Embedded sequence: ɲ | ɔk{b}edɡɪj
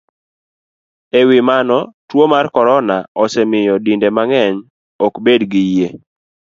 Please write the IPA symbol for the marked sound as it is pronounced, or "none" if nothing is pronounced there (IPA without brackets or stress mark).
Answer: b